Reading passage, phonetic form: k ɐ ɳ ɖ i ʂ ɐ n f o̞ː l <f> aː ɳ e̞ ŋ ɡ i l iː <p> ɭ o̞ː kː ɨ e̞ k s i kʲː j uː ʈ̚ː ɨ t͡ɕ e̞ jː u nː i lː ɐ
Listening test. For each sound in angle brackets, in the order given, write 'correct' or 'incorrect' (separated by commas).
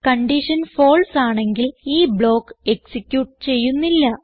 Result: incorrect, incorrect